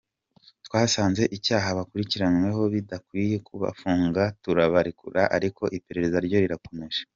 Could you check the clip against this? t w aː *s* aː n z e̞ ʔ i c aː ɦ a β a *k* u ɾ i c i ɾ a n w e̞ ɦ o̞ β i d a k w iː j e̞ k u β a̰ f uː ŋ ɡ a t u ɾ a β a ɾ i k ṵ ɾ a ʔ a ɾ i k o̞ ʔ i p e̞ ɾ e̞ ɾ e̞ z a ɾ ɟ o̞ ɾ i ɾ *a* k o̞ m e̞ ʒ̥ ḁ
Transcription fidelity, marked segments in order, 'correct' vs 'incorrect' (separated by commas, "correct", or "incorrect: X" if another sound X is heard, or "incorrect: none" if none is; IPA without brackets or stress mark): correct, correct, correct